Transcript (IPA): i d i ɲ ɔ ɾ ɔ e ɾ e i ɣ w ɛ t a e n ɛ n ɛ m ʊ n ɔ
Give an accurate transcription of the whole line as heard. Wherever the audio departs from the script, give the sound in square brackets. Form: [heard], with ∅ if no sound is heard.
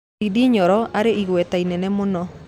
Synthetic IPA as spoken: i d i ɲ ɔ ɾ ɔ [a] ɾ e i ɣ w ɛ t a [i] n ɛ n ɛ m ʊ n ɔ